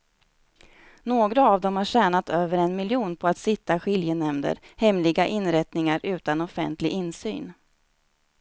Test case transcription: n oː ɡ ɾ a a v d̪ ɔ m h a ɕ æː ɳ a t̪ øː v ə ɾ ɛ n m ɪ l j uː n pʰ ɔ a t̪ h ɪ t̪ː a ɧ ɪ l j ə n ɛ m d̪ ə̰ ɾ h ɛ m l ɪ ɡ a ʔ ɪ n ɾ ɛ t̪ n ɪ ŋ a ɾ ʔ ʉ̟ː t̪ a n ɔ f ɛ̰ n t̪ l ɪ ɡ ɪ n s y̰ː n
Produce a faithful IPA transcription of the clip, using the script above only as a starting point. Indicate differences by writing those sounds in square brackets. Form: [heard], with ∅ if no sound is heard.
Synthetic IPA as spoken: n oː ɡ ɾ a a v d̪ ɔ m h a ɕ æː ɳ a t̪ øː v ə ɾ ɛ n m ɪ l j uː n pʰ ɔ a t̪ [s] ɪ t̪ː a ɧ ɪ l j ə n ɛ m d̪ ə̰ ɾ h ɛ m l ɪ ɡ a ʔ ɪ n ɾ ɛ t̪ n ɪ ŋ a ɾ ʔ ʉ̟ː t̪ a n ɔ f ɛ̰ n t̪ l ɪ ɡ ɪ n s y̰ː n

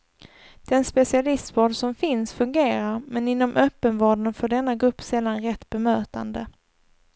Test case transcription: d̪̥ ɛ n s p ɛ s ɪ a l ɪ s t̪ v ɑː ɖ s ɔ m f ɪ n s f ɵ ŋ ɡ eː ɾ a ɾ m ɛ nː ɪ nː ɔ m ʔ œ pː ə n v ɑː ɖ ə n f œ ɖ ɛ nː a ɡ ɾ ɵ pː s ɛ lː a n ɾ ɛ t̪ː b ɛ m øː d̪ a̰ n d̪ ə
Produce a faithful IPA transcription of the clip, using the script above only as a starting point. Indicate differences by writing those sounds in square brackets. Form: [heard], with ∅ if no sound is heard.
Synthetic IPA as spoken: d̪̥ ɛ n s p ɛ s ɪ a l ɪ s t̪ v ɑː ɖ s ɔ m f ɪ n s f ɵ ŋ ɡ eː ɾ a ɾ m ɛ [n] ɪ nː ɔ m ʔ œ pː ə n v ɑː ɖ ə n f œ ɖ ɛ nː a ɡ ɾ ɵ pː s ɛ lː a n ɾ ɛ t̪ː b ɛ m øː [t̪] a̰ n d̪ ə

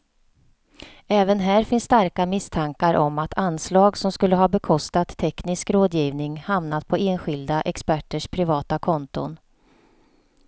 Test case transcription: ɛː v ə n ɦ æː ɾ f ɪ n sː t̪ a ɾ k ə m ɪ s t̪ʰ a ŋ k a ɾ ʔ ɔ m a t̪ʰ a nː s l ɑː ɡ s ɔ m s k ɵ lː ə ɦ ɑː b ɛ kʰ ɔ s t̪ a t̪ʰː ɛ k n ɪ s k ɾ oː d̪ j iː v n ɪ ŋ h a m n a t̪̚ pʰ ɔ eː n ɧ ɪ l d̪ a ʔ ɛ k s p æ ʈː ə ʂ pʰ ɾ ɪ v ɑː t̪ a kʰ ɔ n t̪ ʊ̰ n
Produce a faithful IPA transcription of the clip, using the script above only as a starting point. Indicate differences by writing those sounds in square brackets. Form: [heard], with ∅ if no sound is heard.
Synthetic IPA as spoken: ɛː v ə n ɦ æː ɾ f ɪ n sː t̪ a ɾ k [a] m ɪ s t̪ʰ a ŋ k a ɾ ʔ ɔ m a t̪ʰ a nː s l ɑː ɡ s ɔ m s k ɵ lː ə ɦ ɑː b ɛ kʰ ɔ s t̪ a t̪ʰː ɛ k n ɪ s k ɾ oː d̪ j iː v n ɪ ŋ h a m n a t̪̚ pʰ ɔ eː n ɧ ɪ l d̪ a ʔ ɛ k s p æ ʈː ə ʂ pʰ ɾ ɪ v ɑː t̪ a kʰ ɔ n t̪ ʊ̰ n

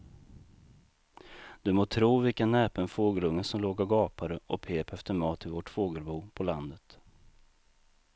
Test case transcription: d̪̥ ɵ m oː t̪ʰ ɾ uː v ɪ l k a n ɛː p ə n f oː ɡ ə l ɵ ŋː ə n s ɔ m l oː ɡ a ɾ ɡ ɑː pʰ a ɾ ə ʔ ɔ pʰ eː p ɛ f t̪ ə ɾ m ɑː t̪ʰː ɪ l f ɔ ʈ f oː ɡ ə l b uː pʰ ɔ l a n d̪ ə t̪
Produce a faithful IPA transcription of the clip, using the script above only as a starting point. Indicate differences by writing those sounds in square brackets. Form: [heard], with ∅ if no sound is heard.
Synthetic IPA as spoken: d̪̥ ɵ m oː t̪ʰ ɾ uː v ɪ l k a n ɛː p ə n f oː ɡ ə l ɵ ŋː ə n s ɔ m l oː ɡ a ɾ ɡ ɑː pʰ a ɾ ə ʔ ɔ pʰ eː p ɛ f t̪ ə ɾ m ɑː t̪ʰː ɪ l [v] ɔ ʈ f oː ɡ ə l b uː pʰ ɔ l a n d̪ ə t̪

